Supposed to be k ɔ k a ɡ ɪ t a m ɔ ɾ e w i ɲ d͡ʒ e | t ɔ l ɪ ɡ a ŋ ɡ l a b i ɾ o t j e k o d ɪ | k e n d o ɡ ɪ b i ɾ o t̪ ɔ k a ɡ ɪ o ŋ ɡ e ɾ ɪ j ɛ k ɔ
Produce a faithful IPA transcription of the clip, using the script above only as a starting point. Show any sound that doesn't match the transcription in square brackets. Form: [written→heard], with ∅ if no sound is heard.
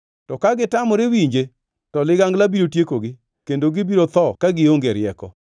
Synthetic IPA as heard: [k→t] ɔ k a ɡ ɪ t a m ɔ ɾ e w i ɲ d͡ʒ e | t ɔ l ɪ ɡ a ŋ ɡ l a b i ɾ o t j e k o [d→ɡ] ɪ | k e n d o ɡ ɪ b i ɾ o t̪ ɔ k a ɡ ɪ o ŋ ɡ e ɾ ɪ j ɛ k ɔ

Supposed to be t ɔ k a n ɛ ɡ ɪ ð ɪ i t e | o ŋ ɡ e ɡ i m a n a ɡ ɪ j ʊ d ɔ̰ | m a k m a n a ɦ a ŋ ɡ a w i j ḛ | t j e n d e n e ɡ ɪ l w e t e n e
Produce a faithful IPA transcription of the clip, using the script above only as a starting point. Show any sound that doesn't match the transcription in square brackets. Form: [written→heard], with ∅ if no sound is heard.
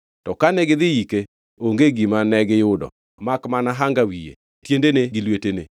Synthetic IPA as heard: t ɔ k a n ɛ ɡ ɪ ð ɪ i [t→k] e | o ŋ ɡ e ɡ i m a n [a→ɛ] ɡ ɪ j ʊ d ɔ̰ | m a k m a n a ɦ a ŋ ɡ a w i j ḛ | t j e n d e n e ɡ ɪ l w e t e n e

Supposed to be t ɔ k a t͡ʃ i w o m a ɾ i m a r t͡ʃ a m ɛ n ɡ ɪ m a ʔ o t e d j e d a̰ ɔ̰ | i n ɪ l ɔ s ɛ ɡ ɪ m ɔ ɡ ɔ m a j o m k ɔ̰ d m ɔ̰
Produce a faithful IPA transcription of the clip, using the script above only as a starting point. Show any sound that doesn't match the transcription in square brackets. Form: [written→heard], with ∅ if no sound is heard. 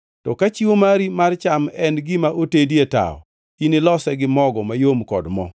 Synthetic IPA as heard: t ɔ k a t͡ʃ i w o m a ɾ i m a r t͡ʃ a m ɛ n ɡ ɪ m a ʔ o t e d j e [d→t] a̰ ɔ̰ | i n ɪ l ɔ s ɛ ɡ ɪ m ɔ ɡ ɔ m a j o m k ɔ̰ d m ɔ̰

